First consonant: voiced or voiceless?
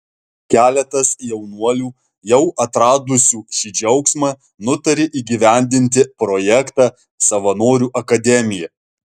voiceless